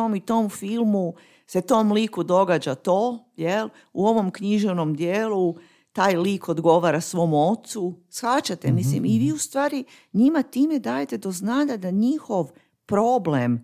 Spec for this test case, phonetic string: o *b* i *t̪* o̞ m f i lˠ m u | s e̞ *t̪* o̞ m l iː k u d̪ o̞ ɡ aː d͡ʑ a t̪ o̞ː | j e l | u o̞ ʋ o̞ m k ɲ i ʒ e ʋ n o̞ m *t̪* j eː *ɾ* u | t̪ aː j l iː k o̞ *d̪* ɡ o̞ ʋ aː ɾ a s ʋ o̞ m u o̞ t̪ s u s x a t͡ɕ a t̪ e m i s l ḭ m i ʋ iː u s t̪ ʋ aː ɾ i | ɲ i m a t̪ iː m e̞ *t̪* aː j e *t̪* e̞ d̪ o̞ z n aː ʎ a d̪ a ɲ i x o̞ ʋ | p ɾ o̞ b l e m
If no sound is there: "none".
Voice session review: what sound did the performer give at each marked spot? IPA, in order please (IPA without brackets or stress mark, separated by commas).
m, t̪, t̪, d̪, l, d̪, d̪, t̪